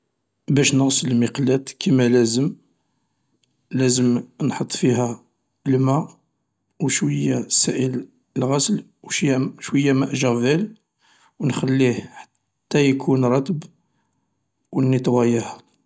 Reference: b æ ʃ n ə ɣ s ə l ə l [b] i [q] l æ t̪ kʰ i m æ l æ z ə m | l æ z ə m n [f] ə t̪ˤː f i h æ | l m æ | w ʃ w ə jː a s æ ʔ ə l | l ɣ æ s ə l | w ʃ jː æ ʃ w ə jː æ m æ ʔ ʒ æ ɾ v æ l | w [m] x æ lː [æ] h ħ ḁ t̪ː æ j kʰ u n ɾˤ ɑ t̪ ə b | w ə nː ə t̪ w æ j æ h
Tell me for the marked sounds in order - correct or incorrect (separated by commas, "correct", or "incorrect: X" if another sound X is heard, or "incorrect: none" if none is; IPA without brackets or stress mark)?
incorrect: m, correct, incorrect: ħ, incorrect: n, incorrect: i